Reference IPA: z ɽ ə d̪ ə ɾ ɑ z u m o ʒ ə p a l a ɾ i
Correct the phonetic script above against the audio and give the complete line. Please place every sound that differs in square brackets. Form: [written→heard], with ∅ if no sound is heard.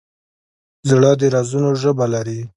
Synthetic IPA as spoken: z ɽ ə d̪ ə ɾ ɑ z u [m→n] o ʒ ə [p→b] a l a ɾ i